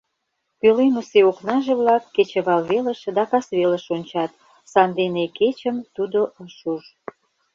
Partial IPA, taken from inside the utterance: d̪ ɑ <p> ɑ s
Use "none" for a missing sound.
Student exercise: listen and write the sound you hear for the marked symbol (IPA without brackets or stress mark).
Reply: k